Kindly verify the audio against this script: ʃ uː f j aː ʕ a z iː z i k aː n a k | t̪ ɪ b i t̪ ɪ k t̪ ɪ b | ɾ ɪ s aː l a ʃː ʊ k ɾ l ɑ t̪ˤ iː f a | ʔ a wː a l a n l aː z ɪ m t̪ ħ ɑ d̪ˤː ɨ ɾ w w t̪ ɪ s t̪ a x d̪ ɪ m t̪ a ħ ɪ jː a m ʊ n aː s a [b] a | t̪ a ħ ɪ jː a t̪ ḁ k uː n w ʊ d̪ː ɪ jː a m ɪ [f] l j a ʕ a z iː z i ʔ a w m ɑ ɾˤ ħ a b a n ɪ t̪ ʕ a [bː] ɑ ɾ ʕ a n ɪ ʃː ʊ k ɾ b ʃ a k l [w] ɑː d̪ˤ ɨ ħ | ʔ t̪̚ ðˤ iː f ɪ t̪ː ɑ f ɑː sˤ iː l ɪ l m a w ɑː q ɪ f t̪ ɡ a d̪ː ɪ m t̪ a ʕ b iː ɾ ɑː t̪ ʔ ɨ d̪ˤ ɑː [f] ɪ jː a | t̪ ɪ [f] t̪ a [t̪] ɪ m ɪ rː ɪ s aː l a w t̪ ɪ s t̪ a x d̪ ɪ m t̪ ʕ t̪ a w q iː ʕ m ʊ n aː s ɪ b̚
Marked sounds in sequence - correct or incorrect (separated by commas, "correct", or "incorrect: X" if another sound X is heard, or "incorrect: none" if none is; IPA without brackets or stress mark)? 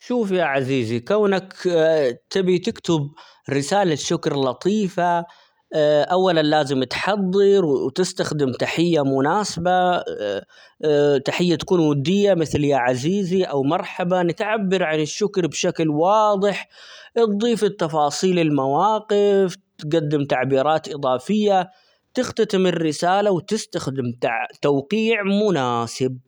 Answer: correct, incorrect: θ, correct, correct, correct, incorrect: x, correct